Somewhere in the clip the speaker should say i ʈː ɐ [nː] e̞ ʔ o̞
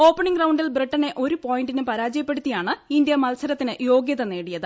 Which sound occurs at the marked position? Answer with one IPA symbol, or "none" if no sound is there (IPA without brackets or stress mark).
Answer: n